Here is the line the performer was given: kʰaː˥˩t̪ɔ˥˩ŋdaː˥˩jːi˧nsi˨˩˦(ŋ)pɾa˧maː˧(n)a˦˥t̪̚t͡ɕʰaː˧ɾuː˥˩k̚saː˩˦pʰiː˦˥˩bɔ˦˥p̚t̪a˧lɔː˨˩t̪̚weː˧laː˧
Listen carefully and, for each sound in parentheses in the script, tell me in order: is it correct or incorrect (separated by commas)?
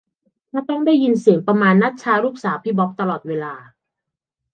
correct, incorrect